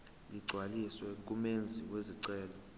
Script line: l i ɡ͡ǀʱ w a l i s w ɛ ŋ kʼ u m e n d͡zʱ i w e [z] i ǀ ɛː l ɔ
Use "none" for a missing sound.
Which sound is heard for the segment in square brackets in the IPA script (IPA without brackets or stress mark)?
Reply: z